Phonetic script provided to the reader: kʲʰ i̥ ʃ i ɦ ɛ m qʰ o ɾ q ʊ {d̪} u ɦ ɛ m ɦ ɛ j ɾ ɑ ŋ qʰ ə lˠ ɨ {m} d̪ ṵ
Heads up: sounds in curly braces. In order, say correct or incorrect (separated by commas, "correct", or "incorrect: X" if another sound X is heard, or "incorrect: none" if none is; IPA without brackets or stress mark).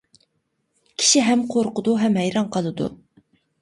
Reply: correct, incorrect: none